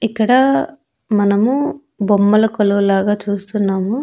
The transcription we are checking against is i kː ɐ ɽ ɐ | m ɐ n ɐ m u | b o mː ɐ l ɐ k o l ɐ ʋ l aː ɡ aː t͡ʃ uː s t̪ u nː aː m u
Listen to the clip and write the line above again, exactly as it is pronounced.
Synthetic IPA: i kː ɐ ɽ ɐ | m ɐ n ɐ m u | b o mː ɐ l ɐ k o l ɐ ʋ l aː ɡ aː t͡ʃ uː s t̪ u nː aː m u